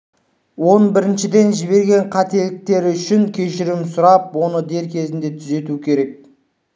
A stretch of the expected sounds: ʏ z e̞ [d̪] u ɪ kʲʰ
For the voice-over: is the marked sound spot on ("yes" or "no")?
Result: no